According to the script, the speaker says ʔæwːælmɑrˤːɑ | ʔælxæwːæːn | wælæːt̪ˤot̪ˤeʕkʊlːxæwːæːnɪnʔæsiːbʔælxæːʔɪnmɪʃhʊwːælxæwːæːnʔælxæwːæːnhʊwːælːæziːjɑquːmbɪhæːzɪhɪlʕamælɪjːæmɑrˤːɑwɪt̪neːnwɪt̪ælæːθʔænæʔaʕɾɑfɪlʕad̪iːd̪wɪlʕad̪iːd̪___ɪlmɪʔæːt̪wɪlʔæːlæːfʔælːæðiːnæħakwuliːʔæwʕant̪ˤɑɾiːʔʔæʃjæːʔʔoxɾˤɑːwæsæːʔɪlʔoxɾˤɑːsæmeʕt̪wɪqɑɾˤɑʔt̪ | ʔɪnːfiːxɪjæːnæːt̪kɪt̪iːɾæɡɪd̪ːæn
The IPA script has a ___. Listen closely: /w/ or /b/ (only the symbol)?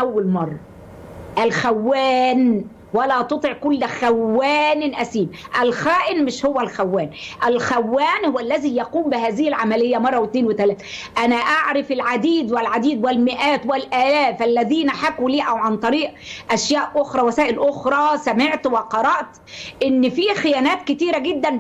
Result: w